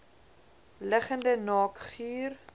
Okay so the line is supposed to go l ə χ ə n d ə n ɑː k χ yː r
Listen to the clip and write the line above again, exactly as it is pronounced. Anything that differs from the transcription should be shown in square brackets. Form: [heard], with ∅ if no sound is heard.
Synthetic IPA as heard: l ə χ ə n d ə n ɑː k χ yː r